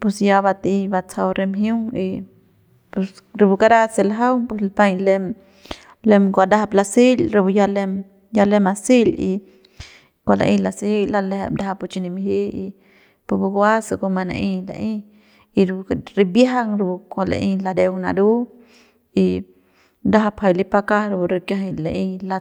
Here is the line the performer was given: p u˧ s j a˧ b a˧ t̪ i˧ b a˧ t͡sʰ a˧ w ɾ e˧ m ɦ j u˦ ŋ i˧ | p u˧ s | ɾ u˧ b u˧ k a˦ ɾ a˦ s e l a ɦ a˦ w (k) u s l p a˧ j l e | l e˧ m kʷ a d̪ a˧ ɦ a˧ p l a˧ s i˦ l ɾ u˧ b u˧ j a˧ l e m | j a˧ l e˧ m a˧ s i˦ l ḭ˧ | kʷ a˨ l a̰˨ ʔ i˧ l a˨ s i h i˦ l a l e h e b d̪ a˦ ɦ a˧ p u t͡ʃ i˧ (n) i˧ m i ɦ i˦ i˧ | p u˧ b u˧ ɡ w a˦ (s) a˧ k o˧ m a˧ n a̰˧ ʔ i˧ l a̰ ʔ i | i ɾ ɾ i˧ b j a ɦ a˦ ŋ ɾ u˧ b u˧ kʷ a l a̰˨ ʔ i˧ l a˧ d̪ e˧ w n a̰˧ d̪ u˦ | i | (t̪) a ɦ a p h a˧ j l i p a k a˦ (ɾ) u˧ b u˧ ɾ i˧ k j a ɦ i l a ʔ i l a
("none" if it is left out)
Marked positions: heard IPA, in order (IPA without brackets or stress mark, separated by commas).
p, n, s, d̪, ɾ